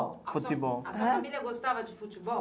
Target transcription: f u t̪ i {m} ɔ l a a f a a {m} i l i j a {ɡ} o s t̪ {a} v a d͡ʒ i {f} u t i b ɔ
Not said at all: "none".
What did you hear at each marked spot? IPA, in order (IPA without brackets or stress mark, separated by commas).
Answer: b, m, ɡ, a, f